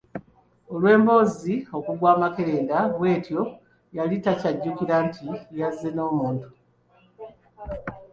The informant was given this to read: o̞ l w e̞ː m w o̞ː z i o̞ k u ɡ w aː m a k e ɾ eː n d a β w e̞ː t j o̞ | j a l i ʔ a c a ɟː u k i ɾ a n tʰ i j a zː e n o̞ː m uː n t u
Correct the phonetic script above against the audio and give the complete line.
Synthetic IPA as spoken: o̞ l w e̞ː m b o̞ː z i o̞ k u ɡ w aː m a k e ɾ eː n d a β w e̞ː t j o̞ | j a l i t a c a ɟː u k i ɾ a n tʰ i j a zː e n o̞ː m uː n t u